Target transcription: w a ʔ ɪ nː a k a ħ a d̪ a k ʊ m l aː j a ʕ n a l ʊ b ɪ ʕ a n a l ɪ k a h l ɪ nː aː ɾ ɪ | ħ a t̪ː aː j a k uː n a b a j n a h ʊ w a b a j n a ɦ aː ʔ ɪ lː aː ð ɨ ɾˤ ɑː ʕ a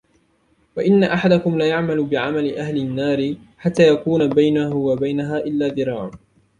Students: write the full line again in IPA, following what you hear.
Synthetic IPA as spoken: w a ʔ ɪ nː a ʔ a ħ a d̪ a k ʊ m l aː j a ʕ m a l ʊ b ɪ ʕ a m a l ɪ ʔ a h l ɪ nː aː ɾ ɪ | ħ a t̪ː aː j a k uː n a b a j n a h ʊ w a b a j n a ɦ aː ʔ ɪ lː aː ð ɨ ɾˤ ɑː ʕ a